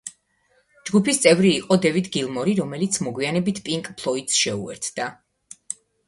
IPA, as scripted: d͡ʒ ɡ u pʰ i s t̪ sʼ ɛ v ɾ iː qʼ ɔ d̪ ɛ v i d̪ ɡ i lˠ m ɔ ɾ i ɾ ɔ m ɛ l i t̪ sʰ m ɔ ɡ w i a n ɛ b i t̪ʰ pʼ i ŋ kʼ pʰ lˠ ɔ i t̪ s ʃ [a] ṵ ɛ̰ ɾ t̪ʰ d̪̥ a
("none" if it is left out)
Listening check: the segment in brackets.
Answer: ɛ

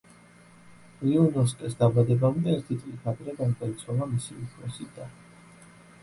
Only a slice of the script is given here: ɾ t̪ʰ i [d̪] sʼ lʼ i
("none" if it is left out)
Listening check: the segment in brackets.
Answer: t̪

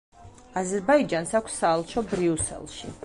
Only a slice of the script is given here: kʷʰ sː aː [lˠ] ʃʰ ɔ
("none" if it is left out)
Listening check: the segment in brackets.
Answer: lˠ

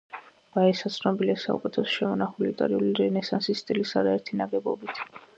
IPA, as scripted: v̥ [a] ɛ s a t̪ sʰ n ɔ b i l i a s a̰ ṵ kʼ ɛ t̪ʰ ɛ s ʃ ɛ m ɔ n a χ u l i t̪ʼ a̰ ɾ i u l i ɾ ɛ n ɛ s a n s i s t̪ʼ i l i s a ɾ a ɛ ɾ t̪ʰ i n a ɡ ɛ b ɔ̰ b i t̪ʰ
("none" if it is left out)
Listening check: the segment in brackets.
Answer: a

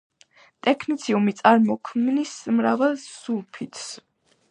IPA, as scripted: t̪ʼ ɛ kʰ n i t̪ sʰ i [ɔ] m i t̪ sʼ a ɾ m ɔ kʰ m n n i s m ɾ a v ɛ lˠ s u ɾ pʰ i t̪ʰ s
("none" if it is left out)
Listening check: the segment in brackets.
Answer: u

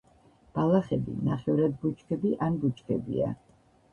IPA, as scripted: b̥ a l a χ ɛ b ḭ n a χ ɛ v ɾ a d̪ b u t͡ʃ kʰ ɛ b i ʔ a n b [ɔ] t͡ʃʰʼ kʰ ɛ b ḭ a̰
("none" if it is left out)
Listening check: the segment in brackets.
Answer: u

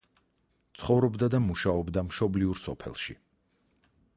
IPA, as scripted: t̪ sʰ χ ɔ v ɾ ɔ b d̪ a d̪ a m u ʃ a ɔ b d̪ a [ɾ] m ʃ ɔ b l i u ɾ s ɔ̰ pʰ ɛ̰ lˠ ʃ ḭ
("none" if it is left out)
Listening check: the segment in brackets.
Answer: none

